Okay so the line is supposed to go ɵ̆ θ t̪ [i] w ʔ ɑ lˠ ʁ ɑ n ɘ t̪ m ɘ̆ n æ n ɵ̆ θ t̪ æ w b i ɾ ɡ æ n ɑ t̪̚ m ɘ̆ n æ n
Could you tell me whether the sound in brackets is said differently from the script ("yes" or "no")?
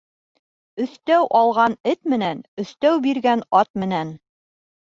yes